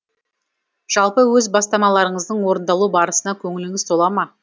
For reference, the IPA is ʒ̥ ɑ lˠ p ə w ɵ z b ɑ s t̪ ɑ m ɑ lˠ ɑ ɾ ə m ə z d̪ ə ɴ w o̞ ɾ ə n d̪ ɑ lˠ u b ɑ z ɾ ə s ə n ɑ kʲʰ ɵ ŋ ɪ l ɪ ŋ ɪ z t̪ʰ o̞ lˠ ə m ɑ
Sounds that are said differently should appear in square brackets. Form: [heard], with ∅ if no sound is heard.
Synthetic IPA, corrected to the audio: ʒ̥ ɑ lˠ p ə w ɵ z b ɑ s t̪ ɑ m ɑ lˠ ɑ ɾ ə [ɴ] ə z d̪ ə ɴ w o̞ ɾ ə n d̪ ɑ lˠ u b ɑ [∅] ɾ ə s ə n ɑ kʲʰ ɵ ŋ ɪ l ɪ ŋ ɪ z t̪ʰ o̞ lˠ [ɑ] m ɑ